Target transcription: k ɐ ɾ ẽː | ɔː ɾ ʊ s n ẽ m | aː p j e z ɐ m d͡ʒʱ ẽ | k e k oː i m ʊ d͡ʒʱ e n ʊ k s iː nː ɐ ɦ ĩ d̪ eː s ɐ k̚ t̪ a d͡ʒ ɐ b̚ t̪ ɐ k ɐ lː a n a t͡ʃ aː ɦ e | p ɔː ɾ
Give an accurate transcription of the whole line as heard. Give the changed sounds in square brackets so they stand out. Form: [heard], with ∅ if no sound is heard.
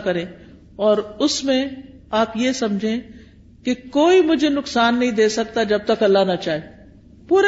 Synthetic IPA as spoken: k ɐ ɾ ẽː | ɔː ɾ ʊ s [m] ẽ [∅] | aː p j e [s] ɐ m d͡ʒʱ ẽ | k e k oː i m ʊ d͡ʒʱ e n ʊ k s [aː] nː ɐ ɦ ĩ d̪ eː s ɐ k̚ t̪ a d͡ʒ ɐ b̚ t̪ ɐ k ɐ lː a n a t͡ʃ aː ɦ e | p [uː] ɾ